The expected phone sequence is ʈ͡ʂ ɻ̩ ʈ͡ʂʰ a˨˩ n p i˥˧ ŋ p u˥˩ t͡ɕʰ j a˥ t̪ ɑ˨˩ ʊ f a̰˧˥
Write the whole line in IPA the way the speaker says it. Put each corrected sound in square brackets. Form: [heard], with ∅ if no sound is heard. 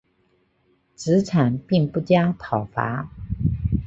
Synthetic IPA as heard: ʈ͡ʂ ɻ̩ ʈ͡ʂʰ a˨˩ n p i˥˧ ŋ p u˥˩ [t͡ɕ] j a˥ [t̪ʰ] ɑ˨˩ ʊ f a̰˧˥